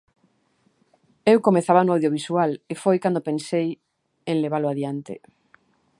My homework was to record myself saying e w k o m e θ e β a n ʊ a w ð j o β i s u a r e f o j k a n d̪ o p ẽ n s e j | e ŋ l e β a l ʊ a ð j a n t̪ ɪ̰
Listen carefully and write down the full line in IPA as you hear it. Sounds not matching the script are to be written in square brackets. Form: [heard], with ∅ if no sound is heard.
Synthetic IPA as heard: e w k o m e θ [a] β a n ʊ a w ð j o β i s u a [l] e f o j k a n d̪ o p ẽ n s e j | e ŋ l e β a l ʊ a ð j a n t̪ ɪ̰